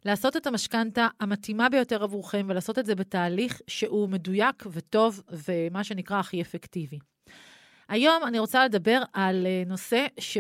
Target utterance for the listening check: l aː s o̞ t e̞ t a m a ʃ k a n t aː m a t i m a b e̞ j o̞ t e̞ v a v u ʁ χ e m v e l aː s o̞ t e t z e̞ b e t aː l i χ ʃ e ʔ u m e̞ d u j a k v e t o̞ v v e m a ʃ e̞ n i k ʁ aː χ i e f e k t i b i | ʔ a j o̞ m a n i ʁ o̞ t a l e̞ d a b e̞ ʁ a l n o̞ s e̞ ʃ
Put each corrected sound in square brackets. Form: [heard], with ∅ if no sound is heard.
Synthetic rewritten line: l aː s o̞ t e̞ t a m a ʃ k a n t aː m a t i m a b e̞ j o̞ t e̞ [ʁ] a v u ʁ χ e m v e l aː s o̞ t e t z e̞ b e t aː l i χ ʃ e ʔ u m e̞ d u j a k v e t o̞ v v e m a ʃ e̞ n i k ʁ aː χ i e f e k t i [v] i | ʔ a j o̞ m a n i ʁ o̞ [t͡s] a l e̞ d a b e̞ ʁ a l n o̞ s e̞ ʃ